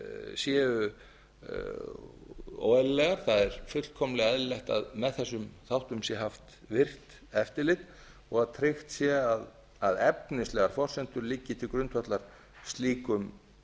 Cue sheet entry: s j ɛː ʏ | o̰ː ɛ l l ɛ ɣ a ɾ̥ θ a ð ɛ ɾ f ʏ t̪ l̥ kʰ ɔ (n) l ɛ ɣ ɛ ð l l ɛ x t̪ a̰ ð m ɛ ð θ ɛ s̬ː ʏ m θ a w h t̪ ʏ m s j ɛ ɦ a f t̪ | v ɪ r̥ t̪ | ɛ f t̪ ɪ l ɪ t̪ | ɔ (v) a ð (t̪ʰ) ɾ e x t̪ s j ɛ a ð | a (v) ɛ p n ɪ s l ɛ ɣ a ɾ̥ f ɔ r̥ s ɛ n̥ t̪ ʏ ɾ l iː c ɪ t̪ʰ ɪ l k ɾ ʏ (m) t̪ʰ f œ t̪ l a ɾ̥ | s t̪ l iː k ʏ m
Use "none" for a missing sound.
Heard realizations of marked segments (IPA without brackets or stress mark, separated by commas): m, ɣ, t̪ʰ, ð, n